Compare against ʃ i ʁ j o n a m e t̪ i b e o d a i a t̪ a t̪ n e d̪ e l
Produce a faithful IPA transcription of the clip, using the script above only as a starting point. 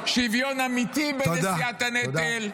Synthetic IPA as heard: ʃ i v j o n a m i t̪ i b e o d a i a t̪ a n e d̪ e l